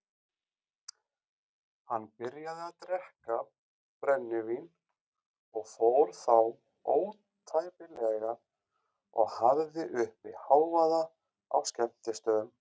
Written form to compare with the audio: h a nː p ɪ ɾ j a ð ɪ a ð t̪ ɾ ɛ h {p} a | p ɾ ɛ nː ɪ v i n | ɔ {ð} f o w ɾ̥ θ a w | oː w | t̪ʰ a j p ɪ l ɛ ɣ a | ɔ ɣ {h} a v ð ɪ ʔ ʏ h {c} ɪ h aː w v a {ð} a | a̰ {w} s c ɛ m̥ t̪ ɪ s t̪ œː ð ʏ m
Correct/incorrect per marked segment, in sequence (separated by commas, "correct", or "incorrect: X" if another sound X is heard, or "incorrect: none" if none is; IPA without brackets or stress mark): incorrect: k, incorrect: ɣ, correct, incorrect: p, correct, correct